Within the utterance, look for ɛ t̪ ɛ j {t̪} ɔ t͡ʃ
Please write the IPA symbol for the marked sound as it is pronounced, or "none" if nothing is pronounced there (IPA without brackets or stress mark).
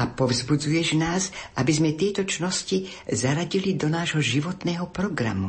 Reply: t̪